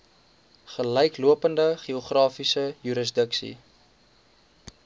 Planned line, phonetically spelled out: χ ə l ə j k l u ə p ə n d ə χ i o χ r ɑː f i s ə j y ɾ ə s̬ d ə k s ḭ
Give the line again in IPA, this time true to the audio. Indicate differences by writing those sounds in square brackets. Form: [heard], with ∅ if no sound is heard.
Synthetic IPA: χ ə l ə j k l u ə p ə n d ə χ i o χ r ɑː f i s ə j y ɾ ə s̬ d ə k s ḭ

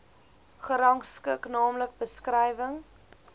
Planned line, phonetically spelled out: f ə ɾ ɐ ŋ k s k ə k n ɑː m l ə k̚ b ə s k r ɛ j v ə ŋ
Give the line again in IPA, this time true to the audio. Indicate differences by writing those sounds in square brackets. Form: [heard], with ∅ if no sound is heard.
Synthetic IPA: [χ] ə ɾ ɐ ŋ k s k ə k n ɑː m l ə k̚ b ə s k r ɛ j v ə ŋ

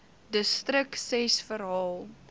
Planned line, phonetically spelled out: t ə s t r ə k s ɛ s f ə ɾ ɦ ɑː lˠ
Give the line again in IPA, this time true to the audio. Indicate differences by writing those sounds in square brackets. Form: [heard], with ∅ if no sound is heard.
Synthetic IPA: [d] ə s t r ə k s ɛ s f ə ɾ ɦ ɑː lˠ

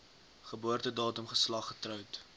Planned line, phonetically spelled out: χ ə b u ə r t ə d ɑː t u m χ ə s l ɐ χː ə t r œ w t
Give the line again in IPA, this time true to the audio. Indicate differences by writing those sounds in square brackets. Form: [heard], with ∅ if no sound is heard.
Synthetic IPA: χ ə b u ə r t ə d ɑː t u m χ ə s l ɐ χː ə t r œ w t

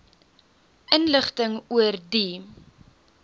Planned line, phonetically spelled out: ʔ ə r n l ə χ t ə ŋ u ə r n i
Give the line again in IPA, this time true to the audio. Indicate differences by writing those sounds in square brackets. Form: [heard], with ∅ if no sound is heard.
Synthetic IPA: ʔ ə [∅] n l ə χ t ə ŋ u ə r [d] i

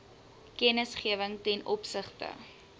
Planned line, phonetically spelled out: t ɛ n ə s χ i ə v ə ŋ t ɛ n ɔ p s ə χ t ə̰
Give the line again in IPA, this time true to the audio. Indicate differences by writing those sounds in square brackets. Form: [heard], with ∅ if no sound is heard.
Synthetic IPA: [k] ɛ n ə s χ i ə v ə ŋ t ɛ n ɔ p s ə χ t ə̰

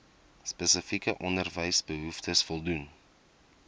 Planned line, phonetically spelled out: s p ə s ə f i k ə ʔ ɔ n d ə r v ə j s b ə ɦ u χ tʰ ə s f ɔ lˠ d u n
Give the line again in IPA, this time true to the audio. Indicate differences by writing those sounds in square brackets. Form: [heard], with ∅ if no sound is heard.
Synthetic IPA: s p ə s ə f i k ə ʔ ɔ n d ə r v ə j s b ə ɦ u [f] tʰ ə s f ɔ lˠ d u n

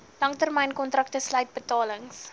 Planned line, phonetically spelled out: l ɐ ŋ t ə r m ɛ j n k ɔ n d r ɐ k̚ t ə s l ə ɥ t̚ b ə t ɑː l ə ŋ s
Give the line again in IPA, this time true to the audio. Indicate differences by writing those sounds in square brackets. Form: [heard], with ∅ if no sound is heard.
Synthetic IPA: l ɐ ŋ t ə r m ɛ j n k ɔ n [t] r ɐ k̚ t ə s l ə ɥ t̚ b ə t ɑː l ə ŋ s

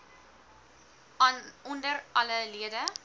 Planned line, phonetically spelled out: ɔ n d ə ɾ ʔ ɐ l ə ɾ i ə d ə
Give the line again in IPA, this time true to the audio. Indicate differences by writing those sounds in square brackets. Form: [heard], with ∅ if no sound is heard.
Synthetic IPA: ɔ n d ə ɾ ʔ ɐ l ə [l] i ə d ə

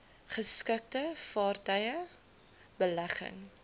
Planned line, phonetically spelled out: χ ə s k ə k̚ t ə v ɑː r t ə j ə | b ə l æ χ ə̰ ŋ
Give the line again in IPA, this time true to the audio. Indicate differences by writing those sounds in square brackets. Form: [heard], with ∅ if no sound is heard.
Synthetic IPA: χ ə s k ə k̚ t ə [f] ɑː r t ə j ə | b ə l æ χ ə̰ ŋ

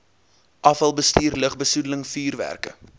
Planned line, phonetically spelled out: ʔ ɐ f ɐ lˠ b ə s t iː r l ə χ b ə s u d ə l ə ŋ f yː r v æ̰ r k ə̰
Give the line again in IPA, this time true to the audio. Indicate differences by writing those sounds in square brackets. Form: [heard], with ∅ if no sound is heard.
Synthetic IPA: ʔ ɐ f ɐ lˠ b ə s t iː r l ə χ b ə s u d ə l ə ŋ f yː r v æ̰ r k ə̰

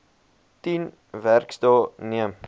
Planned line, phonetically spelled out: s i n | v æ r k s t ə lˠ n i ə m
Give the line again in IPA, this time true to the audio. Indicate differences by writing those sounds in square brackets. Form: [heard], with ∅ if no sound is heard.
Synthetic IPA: [t] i n | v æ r k s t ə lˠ n i ə m

